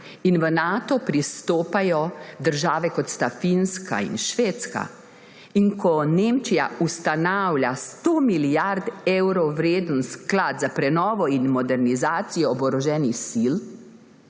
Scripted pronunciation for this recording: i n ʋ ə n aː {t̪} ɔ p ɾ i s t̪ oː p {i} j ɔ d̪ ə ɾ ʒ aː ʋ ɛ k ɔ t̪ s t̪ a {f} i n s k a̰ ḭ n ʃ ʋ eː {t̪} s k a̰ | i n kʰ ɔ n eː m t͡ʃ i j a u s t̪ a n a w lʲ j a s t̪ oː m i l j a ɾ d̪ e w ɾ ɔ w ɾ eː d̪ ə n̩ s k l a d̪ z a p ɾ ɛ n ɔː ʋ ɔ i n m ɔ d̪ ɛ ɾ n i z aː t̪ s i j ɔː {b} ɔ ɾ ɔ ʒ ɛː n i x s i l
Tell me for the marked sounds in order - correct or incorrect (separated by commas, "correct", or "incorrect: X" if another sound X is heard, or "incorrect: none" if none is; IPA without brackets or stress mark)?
correct, incorrect: a, correct, correct, correct